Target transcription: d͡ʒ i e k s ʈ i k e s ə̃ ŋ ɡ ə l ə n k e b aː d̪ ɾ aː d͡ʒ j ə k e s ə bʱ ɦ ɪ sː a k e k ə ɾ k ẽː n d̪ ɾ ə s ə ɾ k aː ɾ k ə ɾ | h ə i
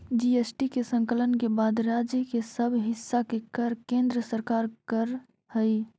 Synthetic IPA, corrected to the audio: d͡ʒ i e s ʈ i k e s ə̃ ŋ k ə l ə n k e b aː d̪ ɾ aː d͡ʒ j ə k e s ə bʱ ɦ ɪ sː a k e k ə ɾ k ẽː n d̪ ɾ ə s ə ɾ k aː ɾ k ə ɾ | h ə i